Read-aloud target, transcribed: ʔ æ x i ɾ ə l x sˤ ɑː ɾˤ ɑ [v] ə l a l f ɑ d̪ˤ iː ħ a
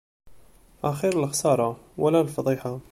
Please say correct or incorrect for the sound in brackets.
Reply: incorrect